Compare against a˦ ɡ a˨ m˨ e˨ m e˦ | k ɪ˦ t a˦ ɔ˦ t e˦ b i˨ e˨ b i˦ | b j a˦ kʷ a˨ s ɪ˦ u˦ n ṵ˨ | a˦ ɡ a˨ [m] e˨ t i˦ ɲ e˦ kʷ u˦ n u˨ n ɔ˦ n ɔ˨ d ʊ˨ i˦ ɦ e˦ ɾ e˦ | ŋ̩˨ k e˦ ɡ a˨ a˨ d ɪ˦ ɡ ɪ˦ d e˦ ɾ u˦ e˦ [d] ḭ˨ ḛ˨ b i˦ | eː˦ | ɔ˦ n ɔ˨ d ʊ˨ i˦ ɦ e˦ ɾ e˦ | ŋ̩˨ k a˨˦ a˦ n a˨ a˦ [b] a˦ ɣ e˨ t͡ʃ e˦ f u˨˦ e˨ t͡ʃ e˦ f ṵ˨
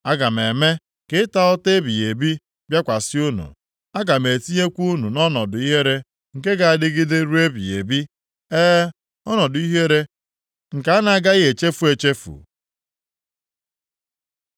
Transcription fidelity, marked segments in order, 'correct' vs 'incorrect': correct, incorrect, incorrect

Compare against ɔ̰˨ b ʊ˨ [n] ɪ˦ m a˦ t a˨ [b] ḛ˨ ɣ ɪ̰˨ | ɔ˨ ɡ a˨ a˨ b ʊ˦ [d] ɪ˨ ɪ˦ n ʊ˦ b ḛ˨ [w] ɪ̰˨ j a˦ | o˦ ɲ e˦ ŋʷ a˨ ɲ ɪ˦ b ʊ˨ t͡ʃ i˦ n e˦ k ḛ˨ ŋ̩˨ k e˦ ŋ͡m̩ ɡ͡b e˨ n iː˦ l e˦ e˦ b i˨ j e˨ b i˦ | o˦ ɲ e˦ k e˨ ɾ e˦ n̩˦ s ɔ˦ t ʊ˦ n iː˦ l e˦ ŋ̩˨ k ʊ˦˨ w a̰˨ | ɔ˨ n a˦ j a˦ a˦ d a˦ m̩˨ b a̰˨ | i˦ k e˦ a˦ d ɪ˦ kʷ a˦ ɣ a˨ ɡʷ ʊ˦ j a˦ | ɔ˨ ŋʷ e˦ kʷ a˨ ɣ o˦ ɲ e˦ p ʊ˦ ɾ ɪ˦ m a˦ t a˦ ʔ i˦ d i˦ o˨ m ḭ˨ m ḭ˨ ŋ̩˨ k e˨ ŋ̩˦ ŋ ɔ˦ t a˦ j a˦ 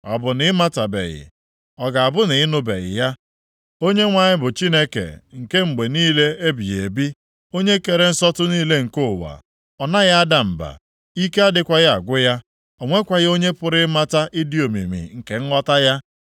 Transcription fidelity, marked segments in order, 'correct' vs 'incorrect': correct, correct, incorrect, incorrect

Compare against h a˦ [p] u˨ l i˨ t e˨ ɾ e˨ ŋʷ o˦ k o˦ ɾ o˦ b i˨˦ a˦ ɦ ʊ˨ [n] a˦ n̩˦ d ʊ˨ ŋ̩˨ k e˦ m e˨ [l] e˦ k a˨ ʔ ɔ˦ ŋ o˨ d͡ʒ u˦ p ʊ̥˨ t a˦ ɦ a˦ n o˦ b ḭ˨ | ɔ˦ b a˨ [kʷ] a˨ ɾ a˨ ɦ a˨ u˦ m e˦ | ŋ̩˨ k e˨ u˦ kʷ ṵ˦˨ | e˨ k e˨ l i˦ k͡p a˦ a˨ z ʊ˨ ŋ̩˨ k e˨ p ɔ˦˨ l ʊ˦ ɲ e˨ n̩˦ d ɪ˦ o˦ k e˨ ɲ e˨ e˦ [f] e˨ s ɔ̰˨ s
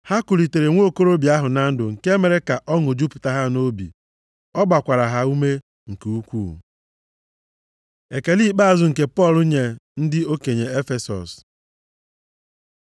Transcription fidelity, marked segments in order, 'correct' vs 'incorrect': incorrect, correct, incorrect, correct, correct

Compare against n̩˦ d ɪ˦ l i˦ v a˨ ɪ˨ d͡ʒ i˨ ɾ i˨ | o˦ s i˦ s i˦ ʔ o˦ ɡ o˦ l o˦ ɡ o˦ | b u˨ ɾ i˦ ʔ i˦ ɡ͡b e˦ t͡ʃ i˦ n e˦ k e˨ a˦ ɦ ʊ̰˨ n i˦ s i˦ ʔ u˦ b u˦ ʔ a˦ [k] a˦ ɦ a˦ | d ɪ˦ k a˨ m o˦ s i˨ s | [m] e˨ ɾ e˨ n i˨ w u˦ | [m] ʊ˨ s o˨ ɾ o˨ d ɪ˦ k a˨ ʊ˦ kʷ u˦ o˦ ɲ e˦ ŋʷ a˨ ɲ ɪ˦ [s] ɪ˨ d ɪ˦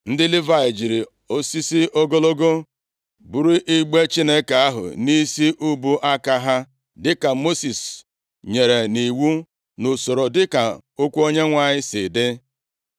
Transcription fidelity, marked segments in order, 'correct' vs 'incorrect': correct, incorrect, incorrect, correct

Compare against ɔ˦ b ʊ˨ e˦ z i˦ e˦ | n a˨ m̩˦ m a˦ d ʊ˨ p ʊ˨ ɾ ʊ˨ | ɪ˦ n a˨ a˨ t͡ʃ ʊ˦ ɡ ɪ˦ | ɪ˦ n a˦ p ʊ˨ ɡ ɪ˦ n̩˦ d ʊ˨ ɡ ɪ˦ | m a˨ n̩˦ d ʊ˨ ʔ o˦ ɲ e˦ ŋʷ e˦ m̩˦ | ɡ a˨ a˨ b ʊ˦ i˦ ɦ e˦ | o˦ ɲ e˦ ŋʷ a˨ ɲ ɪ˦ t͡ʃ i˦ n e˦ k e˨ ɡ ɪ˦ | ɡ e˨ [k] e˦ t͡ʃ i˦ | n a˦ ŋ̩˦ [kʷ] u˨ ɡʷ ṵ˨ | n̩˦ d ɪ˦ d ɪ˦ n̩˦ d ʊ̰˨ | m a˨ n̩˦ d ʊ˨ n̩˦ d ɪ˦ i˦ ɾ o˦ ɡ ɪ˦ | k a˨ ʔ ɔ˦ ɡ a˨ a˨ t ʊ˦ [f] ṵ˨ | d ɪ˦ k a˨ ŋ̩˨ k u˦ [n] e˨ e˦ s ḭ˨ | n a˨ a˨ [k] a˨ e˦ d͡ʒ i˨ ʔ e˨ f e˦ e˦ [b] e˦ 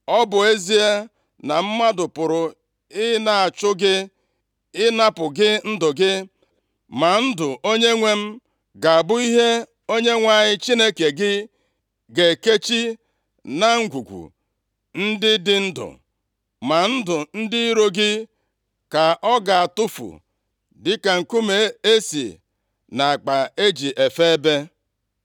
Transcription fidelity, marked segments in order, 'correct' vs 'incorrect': correct, incorrect, correct, incorrect, incorrect, correct

